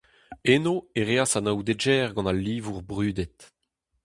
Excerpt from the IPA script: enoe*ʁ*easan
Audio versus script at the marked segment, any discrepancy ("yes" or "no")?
no